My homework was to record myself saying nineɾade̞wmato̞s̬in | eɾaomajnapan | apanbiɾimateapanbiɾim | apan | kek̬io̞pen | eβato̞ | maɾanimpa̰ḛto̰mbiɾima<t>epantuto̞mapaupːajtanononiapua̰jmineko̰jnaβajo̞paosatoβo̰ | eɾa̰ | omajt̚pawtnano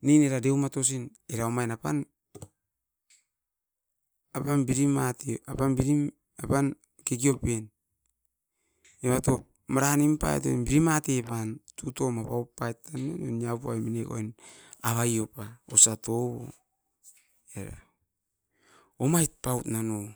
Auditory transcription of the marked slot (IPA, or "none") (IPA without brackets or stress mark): t